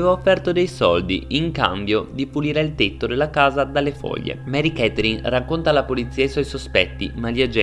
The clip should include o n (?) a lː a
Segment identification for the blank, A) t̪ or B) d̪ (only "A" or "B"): A